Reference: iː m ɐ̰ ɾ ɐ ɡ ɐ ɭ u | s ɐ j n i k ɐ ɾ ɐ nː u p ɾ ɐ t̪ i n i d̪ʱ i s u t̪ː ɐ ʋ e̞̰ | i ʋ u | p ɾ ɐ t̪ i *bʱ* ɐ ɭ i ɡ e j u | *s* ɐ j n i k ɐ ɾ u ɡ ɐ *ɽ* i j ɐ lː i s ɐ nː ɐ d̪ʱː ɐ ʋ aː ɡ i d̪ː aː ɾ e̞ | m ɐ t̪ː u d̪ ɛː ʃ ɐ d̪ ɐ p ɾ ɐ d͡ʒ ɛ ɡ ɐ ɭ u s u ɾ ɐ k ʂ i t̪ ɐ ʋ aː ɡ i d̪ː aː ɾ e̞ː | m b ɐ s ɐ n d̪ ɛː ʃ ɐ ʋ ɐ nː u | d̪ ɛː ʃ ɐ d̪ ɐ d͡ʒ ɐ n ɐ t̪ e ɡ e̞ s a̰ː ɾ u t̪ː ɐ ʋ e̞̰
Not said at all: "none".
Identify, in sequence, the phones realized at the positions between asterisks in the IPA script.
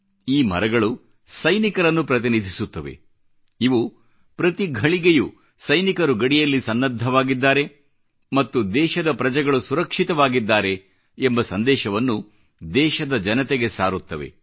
ɡʱ, s, ɽ

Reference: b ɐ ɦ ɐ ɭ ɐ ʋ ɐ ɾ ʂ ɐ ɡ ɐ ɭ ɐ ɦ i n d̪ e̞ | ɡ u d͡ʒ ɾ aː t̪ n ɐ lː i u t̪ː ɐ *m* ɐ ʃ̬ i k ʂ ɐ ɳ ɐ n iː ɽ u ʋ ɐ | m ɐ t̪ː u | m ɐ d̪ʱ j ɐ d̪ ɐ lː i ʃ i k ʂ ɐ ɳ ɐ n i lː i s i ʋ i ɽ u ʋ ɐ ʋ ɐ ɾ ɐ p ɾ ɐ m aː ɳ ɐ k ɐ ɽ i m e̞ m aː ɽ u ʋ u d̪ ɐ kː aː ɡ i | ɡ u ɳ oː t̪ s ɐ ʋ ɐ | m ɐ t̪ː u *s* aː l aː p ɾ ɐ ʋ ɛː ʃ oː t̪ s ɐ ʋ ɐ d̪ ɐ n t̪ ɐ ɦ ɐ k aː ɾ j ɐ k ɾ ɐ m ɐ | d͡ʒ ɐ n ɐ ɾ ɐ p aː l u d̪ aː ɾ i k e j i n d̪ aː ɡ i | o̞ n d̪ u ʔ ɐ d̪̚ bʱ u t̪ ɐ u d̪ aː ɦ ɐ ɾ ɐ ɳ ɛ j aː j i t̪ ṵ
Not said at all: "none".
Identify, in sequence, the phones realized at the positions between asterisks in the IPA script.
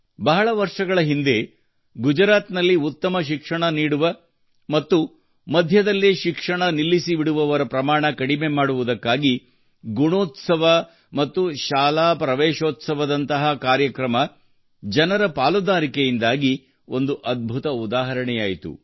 m, ʃ

